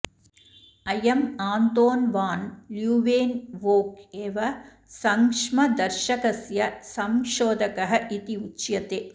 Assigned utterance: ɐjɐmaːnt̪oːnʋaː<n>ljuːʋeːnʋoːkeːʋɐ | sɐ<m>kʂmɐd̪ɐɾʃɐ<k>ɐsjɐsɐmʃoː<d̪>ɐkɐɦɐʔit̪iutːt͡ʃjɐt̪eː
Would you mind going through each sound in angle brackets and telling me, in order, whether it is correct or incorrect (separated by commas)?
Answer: correct, incorrect, correct, correct